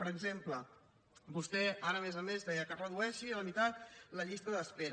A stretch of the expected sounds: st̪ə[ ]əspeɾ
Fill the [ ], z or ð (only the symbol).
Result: ð